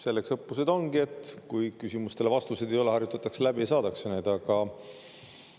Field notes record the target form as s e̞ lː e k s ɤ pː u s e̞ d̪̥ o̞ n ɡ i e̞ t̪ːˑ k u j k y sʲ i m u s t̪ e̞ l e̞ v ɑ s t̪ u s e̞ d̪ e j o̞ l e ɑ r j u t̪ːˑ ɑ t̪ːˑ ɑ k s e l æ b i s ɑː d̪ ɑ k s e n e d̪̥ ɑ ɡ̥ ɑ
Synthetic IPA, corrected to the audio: s e̞ lː e k s ɤ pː u s e̞ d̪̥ o̞ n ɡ i e̞ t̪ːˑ k u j k y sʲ i m u s t̪ e̞ l e̞ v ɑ s t̪ u s e̞ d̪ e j o̞ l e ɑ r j u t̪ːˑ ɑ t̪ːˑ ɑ k s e l æ b i s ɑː d̪ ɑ k s e n e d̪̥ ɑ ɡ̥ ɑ